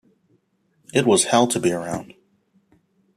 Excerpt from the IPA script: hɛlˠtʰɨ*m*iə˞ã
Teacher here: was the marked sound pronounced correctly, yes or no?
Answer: no